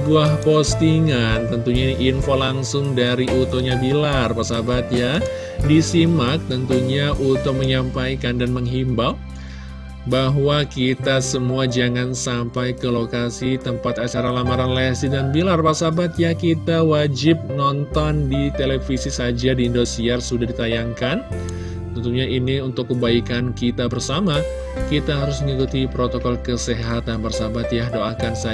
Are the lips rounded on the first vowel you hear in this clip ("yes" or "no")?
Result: yes